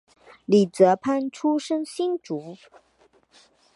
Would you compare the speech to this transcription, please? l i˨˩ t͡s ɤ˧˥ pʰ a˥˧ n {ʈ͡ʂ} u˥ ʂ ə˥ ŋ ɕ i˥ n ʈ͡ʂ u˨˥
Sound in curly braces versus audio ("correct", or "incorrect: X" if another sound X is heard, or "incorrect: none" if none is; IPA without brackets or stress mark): incorrect: ʈ͡ʂʰ